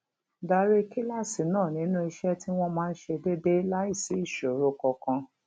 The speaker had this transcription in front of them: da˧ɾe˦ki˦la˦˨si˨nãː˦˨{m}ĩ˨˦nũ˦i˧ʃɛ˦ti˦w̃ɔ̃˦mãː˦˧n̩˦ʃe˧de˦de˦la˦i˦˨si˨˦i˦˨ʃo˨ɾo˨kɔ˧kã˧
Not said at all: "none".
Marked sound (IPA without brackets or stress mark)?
n